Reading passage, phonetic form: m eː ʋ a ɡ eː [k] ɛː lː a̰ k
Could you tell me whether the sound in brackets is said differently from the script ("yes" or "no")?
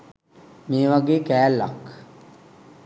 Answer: no